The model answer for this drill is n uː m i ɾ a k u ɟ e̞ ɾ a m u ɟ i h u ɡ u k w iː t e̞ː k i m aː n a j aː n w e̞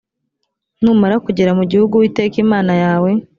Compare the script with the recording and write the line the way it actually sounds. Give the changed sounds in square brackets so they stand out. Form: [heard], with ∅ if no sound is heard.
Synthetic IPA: n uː m [a] ɾ a k u ɟ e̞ ɾ a m u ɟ i h u ɡ u [∅] w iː t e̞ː k i m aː n a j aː [∅] w e̞

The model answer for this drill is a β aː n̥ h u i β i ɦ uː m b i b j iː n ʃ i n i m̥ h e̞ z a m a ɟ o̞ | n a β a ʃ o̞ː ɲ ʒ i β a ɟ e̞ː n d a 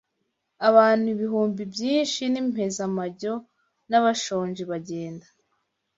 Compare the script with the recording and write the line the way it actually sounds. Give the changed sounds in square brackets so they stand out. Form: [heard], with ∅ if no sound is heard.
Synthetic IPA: a β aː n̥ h u i β i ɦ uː m b i b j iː n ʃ i n i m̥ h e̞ z a m a ɟ o̞ | n a β a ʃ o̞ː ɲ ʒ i β a ɟ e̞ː n d a

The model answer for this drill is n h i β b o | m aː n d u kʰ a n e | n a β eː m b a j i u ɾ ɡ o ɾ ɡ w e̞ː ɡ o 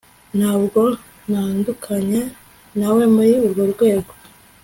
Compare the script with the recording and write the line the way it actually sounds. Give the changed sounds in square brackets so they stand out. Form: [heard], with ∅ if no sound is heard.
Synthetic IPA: n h [a] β [ɡ] o | [n] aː n d u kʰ a [ɲ] e | n a [w] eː m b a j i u ɾ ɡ o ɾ ɡ w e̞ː ɡ o

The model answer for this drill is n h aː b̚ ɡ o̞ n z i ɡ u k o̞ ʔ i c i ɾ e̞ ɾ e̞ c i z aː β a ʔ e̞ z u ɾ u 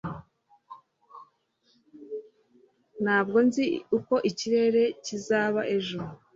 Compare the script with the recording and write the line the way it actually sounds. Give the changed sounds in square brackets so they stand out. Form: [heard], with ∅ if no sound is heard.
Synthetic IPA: n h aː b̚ ɡ o̞ n z i [∅] u k o̞ ʔ i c i ɾ e̞ ɾ e̞ c i z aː β a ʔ e̞ [ʒ] u ɾ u

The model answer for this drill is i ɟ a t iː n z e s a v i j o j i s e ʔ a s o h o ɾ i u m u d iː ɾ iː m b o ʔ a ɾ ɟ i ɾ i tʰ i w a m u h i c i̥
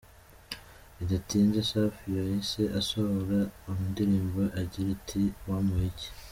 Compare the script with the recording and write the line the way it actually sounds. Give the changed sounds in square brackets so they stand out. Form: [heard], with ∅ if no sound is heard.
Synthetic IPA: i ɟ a t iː n z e s a [f] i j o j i s e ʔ a s o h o ɾ [a] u m u d [i] ɾ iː m b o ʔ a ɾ ɟ i ɾ i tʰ i w a m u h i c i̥

